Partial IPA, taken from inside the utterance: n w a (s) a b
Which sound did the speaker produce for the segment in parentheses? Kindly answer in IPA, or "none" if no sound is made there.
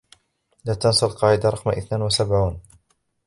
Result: s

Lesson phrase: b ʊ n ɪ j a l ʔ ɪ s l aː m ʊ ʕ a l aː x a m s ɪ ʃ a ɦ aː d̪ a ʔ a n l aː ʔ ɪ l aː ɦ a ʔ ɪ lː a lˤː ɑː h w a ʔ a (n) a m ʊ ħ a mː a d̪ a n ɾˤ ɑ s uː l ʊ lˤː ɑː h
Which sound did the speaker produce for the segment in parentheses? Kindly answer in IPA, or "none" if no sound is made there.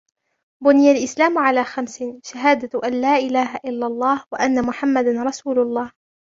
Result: nː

